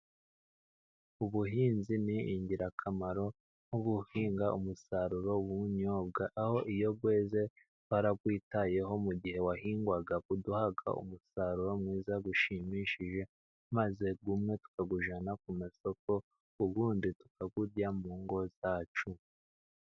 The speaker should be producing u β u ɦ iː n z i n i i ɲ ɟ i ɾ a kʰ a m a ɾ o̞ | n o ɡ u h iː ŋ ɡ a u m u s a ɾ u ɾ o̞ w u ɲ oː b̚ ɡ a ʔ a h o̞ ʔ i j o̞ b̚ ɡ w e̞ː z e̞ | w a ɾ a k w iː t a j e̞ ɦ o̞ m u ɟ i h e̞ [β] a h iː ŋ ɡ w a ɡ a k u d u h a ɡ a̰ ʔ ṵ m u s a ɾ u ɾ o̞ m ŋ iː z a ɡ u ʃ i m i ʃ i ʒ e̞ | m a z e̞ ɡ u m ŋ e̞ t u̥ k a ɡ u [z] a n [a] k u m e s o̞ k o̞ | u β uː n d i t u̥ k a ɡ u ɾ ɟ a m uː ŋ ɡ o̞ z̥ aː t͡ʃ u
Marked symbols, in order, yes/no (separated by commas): no, no, yes